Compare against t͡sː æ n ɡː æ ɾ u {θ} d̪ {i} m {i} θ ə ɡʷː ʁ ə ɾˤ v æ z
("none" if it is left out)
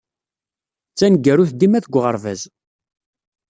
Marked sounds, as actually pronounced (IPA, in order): θ, i, æ

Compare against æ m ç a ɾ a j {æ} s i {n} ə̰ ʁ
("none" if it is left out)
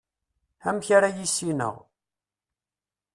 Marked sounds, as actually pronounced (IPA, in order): i, n

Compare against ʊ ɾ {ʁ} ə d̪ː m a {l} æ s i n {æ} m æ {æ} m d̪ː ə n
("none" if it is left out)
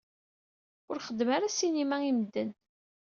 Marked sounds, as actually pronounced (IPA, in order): χ, ɾ, i, i

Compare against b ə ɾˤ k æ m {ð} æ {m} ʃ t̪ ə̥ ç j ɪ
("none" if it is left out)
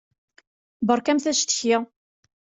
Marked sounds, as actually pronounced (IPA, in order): θ, none

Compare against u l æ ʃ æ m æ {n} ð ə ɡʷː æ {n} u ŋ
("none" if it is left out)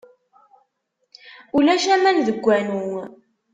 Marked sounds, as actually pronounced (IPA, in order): n, n

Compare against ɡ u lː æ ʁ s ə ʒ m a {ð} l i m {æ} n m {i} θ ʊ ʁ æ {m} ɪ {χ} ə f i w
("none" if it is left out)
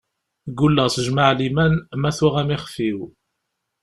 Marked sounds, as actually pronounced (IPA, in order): ʕ, æ, æ, m, χ

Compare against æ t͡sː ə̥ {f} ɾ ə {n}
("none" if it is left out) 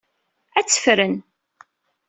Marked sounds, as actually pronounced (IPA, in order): f, n

